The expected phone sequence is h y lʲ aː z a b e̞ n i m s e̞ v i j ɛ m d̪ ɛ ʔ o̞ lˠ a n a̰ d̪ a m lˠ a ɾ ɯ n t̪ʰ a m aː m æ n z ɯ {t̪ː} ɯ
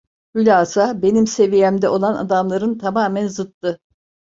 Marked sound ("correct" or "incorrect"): correct